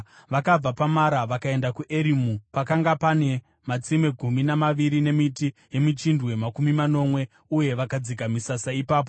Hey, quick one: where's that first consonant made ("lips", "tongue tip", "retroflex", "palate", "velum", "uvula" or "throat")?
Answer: lips